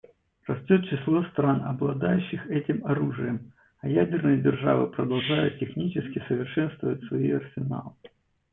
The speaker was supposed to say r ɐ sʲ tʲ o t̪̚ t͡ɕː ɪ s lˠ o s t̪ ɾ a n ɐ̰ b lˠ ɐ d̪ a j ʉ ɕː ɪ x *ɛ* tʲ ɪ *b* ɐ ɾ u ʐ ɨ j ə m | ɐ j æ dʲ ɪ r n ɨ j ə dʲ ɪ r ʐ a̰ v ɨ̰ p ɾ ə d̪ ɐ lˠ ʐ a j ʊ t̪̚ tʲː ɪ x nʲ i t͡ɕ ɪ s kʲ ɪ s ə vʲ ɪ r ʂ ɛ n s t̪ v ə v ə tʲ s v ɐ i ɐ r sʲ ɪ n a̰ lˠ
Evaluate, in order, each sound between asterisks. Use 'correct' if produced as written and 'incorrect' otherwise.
correct, incorrect: m

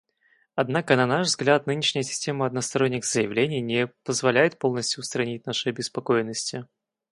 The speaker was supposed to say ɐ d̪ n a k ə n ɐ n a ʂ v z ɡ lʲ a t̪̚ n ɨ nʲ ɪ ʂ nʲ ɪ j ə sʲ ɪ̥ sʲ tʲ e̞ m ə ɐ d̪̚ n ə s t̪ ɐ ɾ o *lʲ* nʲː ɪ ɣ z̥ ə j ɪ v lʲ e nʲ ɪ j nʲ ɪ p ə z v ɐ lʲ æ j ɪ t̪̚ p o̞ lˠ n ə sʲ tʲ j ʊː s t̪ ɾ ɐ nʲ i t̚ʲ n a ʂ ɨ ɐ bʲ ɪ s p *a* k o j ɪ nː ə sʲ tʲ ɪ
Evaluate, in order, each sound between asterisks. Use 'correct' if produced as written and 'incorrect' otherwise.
incorrect: none, incorrect: ɐ

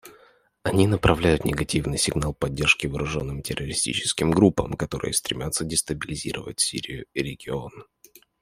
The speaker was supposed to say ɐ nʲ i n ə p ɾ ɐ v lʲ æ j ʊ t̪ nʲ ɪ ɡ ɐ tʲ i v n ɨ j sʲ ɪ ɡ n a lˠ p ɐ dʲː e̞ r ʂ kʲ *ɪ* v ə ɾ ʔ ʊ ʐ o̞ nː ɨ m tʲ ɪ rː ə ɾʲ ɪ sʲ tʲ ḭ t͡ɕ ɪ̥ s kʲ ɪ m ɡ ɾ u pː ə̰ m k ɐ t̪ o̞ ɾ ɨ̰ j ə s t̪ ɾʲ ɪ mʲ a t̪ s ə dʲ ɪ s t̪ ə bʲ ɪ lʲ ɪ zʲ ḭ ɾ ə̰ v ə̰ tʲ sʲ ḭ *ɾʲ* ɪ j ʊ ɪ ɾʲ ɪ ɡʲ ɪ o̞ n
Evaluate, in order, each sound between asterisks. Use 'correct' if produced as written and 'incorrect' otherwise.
correct, correct

